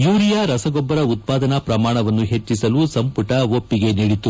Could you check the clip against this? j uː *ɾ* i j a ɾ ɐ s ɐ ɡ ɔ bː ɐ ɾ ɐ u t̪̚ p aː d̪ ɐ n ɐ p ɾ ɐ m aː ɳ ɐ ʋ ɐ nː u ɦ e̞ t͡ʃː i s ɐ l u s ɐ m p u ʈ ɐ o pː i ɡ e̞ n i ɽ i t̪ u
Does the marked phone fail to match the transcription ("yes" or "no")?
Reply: no